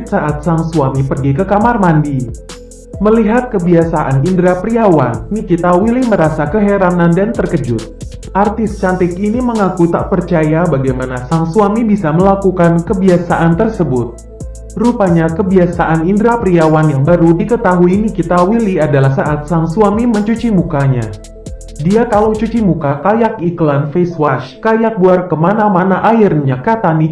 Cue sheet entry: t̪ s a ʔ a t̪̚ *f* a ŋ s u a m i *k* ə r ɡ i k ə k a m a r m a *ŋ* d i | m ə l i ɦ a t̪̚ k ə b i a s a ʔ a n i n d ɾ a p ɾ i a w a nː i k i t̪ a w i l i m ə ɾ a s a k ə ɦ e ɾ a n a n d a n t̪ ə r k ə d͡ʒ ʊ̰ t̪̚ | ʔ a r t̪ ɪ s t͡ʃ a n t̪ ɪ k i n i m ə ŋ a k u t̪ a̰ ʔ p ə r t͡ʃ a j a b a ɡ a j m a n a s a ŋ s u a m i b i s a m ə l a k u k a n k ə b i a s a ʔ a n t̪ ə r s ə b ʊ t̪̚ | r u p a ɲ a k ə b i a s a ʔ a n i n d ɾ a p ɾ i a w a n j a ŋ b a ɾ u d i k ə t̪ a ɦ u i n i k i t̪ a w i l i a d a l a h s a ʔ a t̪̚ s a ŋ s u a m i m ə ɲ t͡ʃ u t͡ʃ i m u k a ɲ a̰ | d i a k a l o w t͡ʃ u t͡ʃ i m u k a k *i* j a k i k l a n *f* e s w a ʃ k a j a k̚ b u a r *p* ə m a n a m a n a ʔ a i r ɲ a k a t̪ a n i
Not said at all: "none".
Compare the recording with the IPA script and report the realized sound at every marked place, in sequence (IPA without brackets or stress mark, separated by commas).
s, p, n, a, f, k